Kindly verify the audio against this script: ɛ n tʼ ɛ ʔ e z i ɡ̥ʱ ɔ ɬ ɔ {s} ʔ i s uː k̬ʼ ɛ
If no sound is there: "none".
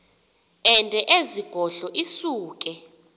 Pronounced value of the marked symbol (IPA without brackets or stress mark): none